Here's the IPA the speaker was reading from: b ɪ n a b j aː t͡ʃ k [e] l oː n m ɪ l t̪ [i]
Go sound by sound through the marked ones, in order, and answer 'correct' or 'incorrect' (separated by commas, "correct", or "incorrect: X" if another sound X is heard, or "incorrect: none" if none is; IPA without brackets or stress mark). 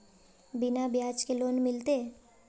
correct, incorrect: e